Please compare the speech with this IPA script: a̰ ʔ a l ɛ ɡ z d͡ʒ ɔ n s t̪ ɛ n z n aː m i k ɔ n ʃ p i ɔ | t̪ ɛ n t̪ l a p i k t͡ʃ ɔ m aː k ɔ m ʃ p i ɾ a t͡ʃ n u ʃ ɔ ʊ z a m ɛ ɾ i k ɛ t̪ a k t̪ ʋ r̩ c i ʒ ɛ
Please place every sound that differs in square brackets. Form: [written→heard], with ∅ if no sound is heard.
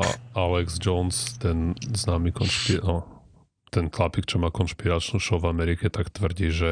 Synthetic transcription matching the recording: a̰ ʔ a l ɛ ɡ z d͡ʒ ɔ n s t̪ ɛ n z n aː m i k ɔ n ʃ p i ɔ | t̪ ɛ n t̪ l a p i k t͡ʃ ɔ m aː k ɔ [m→n] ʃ p i ɾ a t͡ʃ n u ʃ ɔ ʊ [z→v] a m ɛ ɾ i k ɛ t̪ a k t̪ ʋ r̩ [c→ɟ] i ʒ ɛ